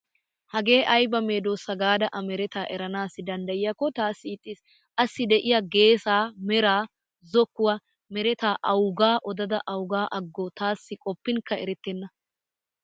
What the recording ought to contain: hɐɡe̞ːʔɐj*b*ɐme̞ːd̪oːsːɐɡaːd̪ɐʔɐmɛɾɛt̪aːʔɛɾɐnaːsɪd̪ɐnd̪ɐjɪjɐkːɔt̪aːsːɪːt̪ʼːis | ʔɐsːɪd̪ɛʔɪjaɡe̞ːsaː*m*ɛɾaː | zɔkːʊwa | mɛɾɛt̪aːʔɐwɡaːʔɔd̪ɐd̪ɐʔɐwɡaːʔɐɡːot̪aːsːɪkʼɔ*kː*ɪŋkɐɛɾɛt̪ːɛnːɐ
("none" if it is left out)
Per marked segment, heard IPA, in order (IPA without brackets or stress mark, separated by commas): b, m, pː